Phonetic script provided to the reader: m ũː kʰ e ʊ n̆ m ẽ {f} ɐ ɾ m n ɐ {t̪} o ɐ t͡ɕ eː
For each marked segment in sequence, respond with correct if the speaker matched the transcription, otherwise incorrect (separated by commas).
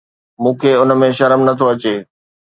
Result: incorrect, incorrect